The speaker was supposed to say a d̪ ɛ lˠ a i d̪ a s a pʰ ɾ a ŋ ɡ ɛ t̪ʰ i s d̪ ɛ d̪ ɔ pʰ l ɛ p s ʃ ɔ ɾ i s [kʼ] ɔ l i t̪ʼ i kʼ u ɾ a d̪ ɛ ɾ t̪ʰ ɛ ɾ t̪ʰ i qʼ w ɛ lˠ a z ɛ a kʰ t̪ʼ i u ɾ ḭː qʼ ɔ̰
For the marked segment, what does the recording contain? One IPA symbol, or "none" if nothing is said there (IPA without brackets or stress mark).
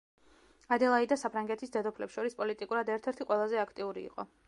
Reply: pʼ